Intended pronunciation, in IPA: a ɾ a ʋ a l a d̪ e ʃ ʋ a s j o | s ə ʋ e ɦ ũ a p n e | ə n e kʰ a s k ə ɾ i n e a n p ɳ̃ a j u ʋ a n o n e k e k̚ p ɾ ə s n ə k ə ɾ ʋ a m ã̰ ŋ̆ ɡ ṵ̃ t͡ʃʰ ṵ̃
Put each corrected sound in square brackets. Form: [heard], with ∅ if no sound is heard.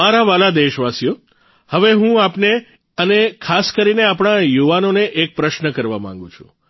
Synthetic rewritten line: a ɾ a ʋ a l a d̪ e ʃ ʋ a s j o | [h] ə ʋ e ɦ ũ a p n e | ə n e kʰ a s k ə ɾ i n e a [∅] p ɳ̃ a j u ʋ a n o n e [ʔ] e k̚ p ɾ ə [ʃ] n ə k ə ɾ ʋ a m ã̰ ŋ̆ ɡ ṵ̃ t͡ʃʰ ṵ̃